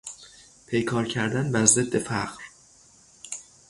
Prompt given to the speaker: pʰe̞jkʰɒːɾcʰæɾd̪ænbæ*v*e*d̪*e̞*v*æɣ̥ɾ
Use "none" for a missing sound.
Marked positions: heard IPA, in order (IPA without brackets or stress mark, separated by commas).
z, d̪ː, f